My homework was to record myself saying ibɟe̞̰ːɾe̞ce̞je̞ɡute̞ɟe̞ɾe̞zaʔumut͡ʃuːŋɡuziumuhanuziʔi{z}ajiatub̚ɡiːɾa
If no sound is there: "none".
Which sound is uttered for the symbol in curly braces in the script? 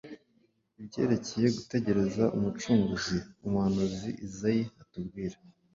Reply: z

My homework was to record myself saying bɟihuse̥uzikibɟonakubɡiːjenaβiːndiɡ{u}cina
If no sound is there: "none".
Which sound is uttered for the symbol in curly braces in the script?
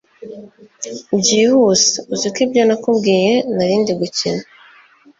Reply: u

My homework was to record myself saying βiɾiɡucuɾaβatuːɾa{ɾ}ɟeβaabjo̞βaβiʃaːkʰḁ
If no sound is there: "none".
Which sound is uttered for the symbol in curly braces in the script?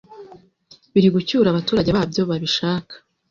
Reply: none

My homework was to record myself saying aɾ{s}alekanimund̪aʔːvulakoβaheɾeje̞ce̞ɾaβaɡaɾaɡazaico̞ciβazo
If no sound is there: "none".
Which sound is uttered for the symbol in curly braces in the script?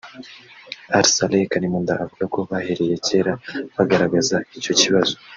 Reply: s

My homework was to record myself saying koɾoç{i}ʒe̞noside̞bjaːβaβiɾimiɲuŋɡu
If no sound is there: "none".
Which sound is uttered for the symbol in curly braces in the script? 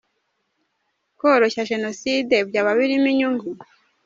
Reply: a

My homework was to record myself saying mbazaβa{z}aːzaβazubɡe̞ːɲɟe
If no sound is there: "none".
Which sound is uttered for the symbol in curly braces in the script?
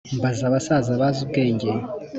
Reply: s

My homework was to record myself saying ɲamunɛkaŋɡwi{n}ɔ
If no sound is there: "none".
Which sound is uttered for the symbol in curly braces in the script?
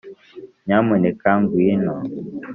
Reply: n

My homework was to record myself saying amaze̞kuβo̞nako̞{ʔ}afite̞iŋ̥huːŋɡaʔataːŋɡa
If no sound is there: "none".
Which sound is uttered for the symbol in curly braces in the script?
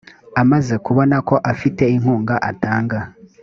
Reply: ʔ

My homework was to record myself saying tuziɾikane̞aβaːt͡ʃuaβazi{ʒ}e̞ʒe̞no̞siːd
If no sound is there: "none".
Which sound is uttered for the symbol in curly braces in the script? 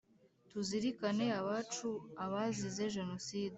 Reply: z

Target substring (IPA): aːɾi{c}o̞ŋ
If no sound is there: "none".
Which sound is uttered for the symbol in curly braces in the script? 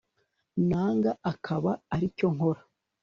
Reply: c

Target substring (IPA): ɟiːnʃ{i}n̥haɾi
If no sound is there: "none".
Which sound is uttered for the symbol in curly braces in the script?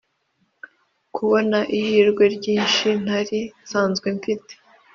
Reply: i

